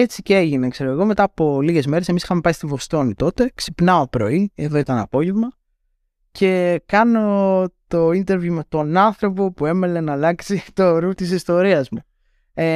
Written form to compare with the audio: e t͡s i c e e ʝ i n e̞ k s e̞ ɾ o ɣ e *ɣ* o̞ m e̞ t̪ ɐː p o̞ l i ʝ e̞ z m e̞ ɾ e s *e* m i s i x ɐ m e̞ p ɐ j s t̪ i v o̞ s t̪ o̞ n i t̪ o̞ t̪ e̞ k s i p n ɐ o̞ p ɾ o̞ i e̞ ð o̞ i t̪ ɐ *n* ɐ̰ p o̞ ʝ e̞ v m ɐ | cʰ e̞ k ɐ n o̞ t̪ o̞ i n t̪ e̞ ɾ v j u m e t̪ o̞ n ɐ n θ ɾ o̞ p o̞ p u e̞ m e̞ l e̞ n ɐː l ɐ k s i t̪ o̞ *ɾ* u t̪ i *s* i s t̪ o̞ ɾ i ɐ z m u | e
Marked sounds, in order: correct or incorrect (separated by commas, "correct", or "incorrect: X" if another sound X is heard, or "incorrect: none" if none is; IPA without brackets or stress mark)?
correct, correct, correct, correct, correct